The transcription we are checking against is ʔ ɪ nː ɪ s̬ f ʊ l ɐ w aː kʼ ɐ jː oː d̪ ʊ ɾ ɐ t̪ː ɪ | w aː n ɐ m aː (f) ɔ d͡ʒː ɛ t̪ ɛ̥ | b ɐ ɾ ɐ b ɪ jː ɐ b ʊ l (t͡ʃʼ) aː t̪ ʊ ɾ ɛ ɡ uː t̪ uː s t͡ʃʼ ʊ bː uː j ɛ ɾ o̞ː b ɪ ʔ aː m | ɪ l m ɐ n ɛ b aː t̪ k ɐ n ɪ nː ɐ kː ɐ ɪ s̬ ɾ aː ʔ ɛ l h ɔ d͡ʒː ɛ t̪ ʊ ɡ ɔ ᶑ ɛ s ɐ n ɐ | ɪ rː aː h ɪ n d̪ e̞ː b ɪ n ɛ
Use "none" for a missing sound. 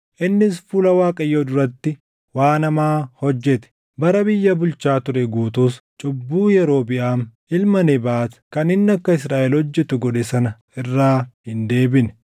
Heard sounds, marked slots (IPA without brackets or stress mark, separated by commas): h, t͡ʃ